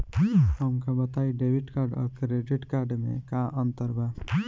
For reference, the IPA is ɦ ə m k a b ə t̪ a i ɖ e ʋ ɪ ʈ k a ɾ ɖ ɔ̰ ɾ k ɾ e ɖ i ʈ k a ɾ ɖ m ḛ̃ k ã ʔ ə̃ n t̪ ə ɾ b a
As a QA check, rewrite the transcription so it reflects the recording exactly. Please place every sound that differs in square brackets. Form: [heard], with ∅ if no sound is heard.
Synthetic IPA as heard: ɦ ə m k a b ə t̪ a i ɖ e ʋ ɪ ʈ k a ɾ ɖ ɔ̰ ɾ k ɾ e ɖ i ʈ k a ɾ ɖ m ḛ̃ k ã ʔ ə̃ n t̪ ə ɾ b a